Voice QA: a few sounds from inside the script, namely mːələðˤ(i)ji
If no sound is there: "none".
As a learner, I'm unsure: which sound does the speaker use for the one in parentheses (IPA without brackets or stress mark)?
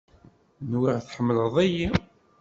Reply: æ